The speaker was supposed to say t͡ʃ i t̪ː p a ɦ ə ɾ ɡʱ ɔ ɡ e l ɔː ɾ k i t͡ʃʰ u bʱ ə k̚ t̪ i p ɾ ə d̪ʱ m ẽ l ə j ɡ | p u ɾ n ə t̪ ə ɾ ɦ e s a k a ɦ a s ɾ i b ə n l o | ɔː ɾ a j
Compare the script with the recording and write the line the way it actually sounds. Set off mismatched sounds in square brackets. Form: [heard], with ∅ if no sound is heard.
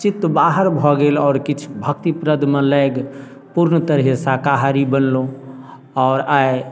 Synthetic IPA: t͡ʃ i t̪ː [b] a ɦ ə ɾ [bʱ] ɔ ɡ e l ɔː ɾ k i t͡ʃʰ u bʱ ə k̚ t̪ i p ɾ ə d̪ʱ m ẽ l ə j ɡ | p u ɾ n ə t̪ ə ɾ ɦ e s a k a ɦ a [∅] ɾ i b ə n l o | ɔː ɾ a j